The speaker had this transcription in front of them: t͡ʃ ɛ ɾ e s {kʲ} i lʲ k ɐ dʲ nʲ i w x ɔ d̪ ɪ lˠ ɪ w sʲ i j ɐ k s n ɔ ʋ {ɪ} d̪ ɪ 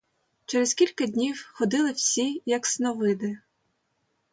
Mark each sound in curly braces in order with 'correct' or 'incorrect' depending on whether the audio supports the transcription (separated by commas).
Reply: correct, correct